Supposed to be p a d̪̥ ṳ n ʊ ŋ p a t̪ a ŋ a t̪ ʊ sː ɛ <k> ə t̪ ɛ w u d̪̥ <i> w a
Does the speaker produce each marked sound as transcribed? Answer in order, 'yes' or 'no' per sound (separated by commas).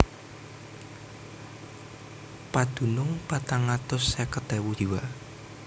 yes, yes